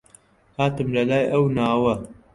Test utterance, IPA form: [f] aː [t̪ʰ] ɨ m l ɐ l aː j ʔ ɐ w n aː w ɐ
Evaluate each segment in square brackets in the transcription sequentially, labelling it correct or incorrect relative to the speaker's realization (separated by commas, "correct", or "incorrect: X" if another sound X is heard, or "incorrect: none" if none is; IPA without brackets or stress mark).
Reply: incorrect: h, incorrect: t̪